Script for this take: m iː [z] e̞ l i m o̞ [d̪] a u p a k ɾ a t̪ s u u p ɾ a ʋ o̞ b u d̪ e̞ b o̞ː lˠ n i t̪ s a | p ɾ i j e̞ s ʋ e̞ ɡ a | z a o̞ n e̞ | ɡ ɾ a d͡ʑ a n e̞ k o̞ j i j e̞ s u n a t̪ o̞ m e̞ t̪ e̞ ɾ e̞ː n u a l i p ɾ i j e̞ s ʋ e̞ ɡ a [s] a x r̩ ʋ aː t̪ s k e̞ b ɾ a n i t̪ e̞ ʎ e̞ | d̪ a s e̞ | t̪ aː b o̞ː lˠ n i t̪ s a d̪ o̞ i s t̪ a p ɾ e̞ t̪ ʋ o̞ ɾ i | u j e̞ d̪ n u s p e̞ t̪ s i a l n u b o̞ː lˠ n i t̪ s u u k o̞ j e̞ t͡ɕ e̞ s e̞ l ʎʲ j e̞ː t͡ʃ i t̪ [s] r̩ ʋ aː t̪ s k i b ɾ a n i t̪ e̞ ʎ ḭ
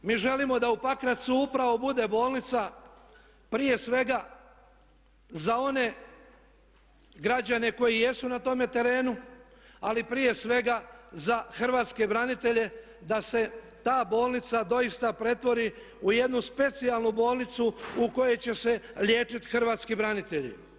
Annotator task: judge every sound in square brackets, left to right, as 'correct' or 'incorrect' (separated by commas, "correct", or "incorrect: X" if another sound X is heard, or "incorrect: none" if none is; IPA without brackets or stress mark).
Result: incorrect: ʒ, correct, incorrect: z, incorrect: x